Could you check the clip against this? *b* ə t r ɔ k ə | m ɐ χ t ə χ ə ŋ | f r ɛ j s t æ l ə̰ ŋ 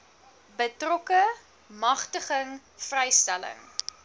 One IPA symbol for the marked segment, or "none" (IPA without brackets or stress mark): b